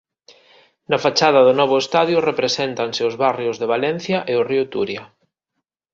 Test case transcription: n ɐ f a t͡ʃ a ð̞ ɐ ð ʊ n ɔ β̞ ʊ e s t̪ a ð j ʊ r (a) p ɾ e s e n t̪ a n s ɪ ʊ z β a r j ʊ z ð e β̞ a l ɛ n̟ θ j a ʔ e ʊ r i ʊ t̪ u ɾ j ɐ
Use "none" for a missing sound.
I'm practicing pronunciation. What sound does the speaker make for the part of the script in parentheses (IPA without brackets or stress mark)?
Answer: e